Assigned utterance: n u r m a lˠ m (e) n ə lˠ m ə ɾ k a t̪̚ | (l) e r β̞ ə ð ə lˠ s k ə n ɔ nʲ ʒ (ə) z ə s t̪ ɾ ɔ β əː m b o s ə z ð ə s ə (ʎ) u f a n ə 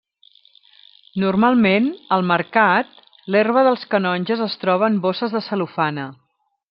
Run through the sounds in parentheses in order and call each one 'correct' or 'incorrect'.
correct, correct, correct, incorrect

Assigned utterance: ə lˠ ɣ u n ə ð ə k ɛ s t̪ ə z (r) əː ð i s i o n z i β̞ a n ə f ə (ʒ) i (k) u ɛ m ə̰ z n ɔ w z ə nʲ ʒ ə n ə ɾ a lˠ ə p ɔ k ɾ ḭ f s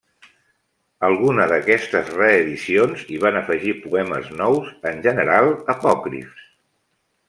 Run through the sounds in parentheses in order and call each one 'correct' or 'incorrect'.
correct, correct, incorrect

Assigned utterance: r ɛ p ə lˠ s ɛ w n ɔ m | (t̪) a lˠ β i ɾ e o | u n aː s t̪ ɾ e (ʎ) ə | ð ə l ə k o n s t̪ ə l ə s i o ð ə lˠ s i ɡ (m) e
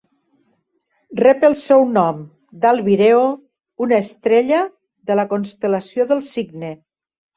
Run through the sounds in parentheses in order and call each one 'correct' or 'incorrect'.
incorrect, correct, incorrect

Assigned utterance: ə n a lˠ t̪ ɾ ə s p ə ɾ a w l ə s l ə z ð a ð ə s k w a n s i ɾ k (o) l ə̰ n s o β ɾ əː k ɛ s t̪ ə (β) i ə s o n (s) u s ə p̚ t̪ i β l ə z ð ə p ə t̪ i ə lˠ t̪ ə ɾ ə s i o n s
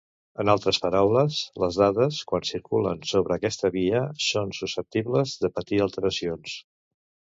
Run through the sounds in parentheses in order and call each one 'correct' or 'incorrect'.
incorrect, correct, correct

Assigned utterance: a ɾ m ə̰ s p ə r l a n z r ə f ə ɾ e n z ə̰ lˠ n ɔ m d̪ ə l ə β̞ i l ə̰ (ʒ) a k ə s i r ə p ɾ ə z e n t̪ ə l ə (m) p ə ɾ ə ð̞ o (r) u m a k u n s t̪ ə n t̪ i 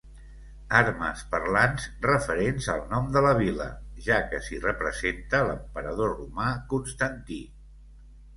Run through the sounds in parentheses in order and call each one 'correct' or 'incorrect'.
correct, correct, correct

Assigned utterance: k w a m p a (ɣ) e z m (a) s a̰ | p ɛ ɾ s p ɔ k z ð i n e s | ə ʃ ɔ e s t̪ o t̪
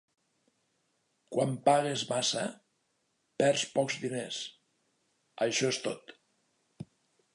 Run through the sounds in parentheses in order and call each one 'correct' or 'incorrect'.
correct, correct

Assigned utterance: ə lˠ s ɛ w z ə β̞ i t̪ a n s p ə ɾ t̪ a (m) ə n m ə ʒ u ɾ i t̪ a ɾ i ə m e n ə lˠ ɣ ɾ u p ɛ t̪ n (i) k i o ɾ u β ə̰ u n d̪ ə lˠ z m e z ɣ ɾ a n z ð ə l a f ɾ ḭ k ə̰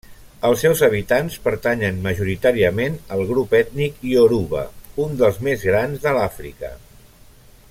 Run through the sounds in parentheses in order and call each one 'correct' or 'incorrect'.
incorrect, correct

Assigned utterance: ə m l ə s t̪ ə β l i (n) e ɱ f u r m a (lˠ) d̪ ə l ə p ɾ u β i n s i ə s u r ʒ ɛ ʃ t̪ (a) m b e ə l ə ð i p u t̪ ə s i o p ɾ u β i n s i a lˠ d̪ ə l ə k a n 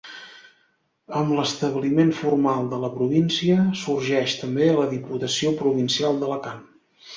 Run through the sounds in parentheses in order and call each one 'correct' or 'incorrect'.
incorrect, correct, incorrect

